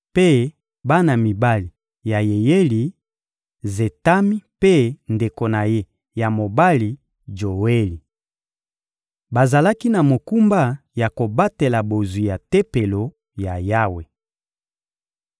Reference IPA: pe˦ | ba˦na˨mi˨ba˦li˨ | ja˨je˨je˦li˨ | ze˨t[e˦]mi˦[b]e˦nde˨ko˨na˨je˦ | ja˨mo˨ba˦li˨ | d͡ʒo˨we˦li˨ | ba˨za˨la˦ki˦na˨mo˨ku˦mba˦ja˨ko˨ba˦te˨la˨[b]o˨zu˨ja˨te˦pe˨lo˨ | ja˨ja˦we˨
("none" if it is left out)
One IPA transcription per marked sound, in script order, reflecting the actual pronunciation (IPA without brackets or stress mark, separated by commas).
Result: a˦, p, b